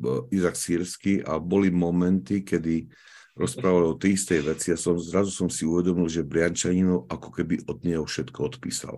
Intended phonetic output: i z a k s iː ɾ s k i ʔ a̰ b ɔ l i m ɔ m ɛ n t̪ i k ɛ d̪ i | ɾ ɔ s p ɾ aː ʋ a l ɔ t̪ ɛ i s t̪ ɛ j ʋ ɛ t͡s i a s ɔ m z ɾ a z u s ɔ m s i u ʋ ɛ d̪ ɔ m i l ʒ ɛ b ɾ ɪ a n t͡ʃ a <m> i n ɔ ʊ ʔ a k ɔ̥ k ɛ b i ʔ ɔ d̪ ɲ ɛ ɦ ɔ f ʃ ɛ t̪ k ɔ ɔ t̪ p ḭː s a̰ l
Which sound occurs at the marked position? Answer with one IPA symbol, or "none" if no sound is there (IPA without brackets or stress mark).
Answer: ɲ